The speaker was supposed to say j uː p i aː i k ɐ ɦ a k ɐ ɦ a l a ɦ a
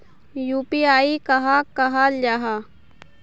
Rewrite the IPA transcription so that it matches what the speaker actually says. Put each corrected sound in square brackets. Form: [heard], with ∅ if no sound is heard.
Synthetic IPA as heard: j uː p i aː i k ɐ ɦ a k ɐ ɦ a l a ɦ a